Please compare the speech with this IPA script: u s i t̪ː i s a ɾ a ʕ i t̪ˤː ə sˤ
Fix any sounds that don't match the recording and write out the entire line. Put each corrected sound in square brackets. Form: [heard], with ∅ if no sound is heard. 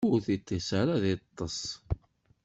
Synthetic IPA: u [θ] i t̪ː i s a ɾ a [ð] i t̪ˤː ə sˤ